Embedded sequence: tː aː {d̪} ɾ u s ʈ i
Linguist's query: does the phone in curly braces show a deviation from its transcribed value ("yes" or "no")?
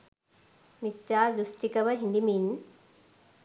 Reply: no